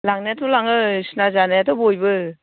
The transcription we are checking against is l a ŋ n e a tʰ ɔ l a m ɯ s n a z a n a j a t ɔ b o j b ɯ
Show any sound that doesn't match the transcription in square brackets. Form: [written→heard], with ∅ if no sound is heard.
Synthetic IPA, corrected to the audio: l a ŋ n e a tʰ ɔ l a [m→ŋ] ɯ s n a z a n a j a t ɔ b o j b ɯ